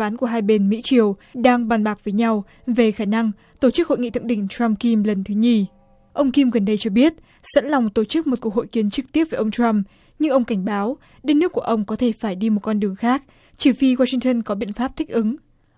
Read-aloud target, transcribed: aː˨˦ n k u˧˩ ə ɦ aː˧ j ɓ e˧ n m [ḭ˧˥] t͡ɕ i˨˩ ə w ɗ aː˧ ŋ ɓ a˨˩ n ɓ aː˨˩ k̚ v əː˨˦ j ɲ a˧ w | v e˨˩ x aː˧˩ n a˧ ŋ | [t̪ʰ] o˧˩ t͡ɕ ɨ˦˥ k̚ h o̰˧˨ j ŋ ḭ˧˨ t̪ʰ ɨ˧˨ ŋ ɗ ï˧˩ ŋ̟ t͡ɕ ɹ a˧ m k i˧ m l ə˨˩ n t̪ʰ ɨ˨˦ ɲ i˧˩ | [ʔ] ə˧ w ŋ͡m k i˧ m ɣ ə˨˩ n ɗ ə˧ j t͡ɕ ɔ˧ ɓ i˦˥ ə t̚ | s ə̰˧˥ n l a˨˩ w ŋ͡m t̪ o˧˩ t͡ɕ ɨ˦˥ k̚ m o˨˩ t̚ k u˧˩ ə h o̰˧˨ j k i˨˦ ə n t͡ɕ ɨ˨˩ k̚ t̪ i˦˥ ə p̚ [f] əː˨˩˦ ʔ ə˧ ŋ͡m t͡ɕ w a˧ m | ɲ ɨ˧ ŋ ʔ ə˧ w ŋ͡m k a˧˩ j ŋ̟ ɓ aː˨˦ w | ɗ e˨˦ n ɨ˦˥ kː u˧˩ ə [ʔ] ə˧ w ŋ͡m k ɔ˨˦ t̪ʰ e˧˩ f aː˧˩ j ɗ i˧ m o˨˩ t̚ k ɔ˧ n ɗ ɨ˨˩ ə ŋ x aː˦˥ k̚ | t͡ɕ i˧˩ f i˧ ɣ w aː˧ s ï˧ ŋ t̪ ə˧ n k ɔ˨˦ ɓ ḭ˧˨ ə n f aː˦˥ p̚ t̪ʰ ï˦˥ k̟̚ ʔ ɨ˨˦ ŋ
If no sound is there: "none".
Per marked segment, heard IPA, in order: ḭ˧˥, t̪, ʔ, v, ʔ

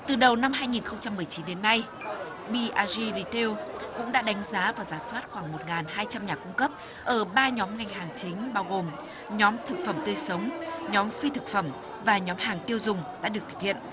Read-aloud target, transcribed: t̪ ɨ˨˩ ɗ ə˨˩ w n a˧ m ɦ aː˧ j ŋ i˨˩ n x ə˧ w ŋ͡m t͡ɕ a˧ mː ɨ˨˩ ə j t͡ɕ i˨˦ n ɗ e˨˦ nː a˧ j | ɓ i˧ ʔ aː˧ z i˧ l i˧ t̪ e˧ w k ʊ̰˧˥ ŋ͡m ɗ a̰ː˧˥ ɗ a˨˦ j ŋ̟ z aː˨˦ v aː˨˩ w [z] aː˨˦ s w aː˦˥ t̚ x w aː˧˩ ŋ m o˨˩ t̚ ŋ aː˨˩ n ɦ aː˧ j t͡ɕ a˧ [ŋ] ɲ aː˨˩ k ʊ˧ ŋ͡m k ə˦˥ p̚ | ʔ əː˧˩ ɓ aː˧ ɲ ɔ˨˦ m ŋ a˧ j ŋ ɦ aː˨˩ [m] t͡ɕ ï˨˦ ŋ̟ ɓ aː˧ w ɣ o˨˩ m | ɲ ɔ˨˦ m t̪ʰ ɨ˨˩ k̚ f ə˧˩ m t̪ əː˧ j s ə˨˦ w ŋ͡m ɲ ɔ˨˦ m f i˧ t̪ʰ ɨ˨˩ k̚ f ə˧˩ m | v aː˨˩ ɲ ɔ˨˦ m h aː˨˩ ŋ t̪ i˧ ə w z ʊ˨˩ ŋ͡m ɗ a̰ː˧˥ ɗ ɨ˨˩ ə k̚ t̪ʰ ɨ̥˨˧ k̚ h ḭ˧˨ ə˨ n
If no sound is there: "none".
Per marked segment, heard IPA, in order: z, m, ŋ

